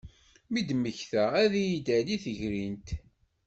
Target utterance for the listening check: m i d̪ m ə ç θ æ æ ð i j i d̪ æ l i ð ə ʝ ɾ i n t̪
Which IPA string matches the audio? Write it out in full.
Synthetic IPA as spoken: m i d̪ m ə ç θ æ æ ð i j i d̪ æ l i θ ə ʝ ɾ i n t̪